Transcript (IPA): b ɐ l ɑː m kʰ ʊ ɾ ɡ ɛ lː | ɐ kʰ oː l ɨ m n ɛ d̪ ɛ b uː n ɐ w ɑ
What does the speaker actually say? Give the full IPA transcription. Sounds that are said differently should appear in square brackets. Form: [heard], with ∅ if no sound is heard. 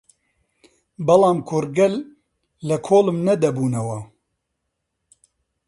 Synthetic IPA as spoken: b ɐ l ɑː m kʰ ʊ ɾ ɡ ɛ lː | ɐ kʰ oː l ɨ m n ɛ d̪ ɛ b uː n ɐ w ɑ